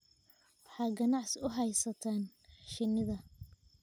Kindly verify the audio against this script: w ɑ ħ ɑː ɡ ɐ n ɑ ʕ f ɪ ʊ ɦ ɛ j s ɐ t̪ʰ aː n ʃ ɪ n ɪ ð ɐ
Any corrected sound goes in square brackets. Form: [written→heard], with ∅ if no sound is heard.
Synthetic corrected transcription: w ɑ ħ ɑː ɡ ɐ n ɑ ʕ [f→s] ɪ ʊ ɦ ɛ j s ɐ t̪ʰ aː n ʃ ɪ n ɪ ð ɐ